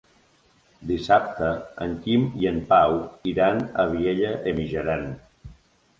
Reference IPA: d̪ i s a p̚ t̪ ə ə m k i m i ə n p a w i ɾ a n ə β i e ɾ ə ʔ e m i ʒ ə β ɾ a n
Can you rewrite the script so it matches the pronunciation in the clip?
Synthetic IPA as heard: d̪ i s a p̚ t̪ ə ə ŋ k i m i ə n p a w i ɾ a n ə β i e ʎ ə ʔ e m i ʒ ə ɾ a n